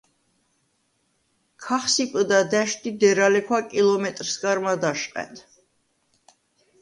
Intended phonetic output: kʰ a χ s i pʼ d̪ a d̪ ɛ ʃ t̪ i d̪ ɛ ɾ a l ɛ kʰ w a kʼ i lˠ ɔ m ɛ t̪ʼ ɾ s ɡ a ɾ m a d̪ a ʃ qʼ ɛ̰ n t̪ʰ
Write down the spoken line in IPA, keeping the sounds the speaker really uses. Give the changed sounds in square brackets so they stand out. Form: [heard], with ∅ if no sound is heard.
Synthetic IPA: kʰ a χ s i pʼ d̪ a d̪ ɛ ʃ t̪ i d̪ ɛ ɾ a l ɛ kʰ w a kʼ i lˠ ɔ m ɛ t̪ʼ ɾ s ɡ a ɾ m a d̪ a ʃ qʼ ɛ̰ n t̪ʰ